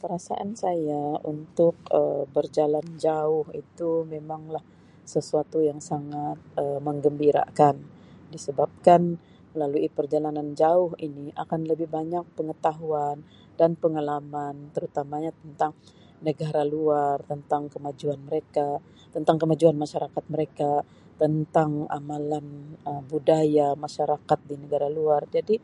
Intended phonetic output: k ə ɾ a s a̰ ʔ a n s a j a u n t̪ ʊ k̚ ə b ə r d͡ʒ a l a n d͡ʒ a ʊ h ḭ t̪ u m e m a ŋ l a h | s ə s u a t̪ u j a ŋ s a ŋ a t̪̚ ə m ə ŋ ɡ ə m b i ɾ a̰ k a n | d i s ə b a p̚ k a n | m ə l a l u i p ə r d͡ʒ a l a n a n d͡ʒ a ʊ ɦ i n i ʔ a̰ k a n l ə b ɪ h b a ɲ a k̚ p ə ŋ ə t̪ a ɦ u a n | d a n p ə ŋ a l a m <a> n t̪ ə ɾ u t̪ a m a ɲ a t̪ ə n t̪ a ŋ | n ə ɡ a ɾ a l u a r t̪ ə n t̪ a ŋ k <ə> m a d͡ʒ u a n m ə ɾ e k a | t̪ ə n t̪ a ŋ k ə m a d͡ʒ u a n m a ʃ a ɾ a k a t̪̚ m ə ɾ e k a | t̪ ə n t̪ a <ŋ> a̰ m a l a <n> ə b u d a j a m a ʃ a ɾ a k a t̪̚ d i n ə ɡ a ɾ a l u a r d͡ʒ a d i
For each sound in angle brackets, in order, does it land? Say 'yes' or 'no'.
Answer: yes, yes, yes, yes

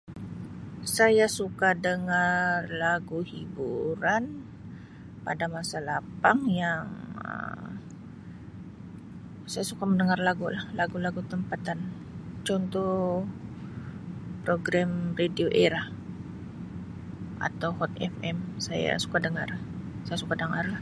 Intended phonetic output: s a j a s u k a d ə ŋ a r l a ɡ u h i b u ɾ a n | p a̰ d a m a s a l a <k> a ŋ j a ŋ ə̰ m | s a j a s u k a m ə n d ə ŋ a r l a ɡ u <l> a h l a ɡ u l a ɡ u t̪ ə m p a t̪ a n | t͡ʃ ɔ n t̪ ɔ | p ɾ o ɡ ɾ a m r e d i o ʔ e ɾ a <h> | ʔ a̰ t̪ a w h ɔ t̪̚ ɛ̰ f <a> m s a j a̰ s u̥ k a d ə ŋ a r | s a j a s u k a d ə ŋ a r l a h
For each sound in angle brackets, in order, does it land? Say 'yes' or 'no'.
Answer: no, yes, yes, no

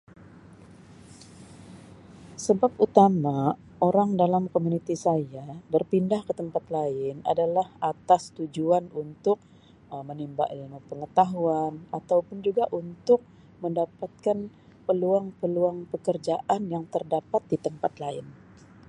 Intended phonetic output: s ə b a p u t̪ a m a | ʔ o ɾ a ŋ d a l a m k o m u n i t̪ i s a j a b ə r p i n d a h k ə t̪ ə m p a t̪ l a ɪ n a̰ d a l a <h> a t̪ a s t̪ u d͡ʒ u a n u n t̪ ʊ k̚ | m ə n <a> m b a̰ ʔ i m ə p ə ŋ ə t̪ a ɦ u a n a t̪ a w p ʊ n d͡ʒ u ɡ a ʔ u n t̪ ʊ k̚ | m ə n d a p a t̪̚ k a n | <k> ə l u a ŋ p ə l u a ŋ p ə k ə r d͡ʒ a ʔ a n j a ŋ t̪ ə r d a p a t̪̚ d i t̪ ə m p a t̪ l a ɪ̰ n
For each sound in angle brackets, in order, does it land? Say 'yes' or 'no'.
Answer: yes, no, no

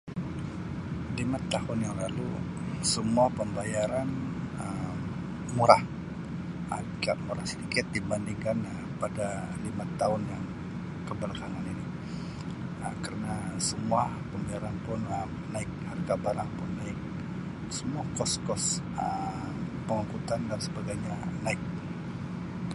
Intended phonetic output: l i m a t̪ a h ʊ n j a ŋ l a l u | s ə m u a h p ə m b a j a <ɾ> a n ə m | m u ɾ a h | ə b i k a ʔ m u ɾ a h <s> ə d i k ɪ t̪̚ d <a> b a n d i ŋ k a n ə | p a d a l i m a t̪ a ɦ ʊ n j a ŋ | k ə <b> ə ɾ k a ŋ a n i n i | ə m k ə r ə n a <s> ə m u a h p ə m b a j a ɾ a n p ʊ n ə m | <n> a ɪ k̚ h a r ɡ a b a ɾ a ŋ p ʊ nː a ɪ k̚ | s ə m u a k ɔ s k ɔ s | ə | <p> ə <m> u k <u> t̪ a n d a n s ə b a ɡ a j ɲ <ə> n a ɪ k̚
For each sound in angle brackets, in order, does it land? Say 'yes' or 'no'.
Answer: yes, yes, no, yes, yes, yes, yes, no, yes, no

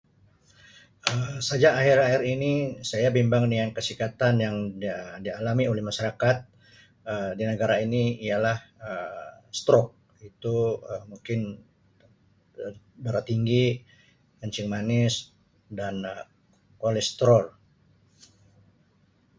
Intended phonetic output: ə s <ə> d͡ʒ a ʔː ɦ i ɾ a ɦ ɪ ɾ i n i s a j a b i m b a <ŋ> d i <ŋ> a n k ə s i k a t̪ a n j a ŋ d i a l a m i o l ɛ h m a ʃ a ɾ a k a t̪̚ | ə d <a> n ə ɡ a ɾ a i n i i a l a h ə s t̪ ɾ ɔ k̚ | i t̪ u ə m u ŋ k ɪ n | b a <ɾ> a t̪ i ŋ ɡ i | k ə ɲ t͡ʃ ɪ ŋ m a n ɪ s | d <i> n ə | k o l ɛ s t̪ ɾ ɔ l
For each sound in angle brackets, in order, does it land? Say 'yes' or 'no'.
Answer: no, yes, yes, no, yes, no

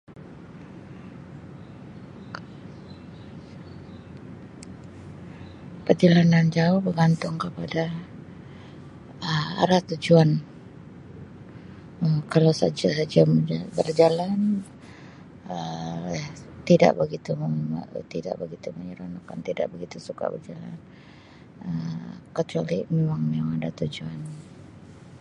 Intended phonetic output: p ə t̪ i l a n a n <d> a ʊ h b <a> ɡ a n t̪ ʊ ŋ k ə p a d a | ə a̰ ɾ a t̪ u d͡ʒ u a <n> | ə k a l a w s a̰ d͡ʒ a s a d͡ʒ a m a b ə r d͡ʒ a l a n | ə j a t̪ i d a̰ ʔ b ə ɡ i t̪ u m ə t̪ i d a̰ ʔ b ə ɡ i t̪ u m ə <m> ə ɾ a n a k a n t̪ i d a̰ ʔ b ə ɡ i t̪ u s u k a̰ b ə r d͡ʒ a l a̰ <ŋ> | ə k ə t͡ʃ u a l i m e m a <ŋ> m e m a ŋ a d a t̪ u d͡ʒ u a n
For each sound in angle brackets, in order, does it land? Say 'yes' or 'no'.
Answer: no, no, yes, no, no, yes

